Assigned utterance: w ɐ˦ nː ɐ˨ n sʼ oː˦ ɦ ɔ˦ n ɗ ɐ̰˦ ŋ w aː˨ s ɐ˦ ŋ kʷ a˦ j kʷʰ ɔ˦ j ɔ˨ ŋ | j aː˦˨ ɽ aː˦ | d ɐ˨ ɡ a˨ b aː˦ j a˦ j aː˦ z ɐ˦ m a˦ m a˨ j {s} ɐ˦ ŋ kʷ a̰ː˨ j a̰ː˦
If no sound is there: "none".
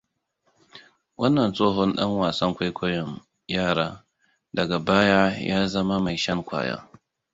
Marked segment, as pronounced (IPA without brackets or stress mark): ʃ